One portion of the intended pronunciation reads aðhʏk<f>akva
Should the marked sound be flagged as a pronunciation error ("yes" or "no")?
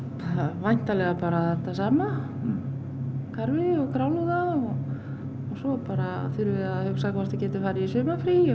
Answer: yes